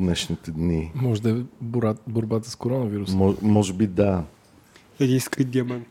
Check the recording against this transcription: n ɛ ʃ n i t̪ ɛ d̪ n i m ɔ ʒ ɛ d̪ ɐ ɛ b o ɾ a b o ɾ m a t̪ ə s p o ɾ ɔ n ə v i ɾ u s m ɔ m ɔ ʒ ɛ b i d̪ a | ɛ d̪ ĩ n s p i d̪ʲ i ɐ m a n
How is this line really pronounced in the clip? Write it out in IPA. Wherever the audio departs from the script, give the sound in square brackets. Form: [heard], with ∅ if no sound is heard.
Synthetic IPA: n ɛ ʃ n i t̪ ɛ d̪ n i m ɔ ʒ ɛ d̪ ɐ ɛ b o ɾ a b o ɾ [b] a t̪ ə s [k] o ɾ ɔ n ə v i ɾ u s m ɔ m ɔ ʒ ɛ b i d̪ a | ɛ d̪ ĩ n s [k] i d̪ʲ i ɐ m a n